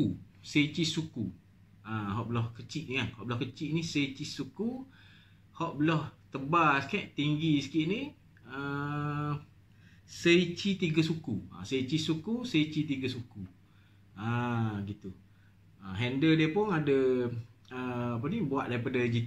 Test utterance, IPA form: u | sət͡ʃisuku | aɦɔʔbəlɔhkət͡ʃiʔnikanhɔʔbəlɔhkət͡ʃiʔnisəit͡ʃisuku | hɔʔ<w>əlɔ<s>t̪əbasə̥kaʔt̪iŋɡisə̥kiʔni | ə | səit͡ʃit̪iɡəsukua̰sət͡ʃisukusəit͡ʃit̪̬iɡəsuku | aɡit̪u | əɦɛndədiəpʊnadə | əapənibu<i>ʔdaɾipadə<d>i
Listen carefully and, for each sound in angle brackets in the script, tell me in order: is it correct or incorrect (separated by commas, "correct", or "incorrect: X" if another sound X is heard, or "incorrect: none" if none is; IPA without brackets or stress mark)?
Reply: incorrect: b, incorrect: h, incorrect: a, incorrect: d͡ʒ